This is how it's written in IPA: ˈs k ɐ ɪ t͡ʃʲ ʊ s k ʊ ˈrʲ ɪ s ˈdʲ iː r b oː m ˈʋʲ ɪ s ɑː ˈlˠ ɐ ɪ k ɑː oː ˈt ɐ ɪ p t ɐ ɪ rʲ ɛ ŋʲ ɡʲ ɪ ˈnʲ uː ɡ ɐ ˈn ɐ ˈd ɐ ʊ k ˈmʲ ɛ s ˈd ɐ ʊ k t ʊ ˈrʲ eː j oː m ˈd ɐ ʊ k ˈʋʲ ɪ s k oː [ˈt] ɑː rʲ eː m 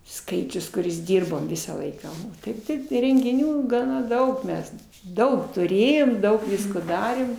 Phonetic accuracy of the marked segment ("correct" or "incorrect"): incorrect